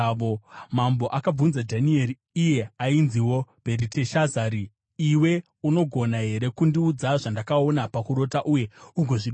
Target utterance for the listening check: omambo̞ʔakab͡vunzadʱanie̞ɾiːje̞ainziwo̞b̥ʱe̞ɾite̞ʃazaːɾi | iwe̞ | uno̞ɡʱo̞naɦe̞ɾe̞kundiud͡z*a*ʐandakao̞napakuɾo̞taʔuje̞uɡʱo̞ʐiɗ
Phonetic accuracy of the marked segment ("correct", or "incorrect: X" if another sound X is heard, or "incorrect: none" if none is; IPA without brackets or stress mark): correct